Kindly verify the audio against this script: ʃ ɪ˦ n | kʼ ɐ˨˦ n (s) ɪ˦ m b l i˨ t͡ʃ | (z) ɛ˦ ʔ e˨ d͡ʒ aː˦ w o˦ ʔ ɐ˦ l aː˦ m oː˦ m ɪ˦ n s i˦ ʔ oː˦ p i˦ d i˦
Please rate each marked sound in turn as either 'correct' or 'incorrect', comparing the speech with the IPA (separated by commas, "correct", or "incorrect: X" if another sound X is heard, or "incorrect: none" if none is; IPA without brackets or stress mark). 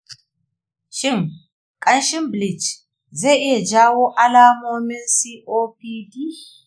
incorrect: ʃ, correct